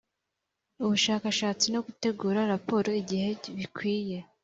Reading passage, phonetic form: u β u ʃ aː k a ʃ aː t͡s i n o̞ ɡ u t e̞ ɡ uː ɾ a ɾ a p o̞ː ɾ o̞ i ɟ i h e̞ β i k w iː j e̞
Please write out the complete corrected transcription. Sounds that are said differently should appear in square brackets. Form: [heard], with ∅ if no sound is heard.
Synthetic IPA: u β u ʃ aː k a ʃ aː t͡s i n o̞ ɡ u t e̞ ɡ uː ɾ a ɾ a p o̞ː ɾ o̞ i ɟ i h e̞ β i k w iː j e̞